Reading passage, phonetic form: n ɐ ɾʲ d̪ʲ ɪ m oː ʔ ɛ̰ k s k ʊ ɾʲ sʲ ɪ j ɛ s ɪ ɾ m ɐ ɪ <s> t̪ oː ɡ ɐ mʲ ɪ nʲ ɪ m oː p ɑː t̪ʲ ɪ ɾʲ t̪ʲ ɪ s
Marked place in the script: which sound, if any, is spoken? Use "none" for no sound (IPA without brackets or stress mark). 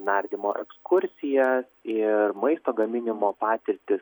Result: s